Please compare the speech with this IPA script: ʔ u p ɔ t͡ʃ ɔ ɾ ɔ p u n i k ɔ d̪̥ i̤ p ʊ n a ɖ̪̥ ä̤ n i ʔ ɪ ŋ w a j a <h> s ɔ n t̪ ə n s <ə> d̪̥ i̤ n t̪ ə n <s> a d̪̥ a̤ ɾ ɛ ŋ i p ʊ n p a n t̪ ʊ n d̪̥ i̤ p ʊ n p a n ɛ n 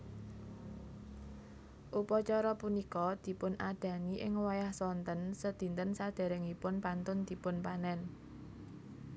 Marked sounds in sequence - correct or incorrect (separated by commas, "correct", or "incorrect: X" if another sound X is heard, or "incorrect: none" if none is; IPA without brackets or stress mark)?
correct, correct, correct